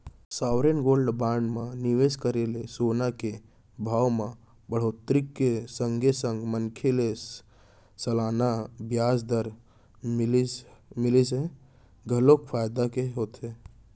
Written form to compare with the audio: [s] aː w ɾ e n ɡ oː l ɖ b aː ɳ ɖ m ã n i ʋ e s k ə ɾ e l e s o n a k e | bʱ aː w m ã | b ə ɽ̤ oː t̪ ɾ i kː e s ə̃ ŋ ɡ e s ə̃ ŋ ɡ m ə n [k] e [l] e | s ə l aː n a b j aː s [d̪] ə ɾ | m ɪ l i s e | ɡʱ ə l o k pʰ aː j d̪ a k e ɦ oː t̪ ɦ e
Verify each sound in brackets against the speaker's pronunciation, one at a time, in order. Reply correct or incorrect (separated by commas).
correct, incorrect, correct, correct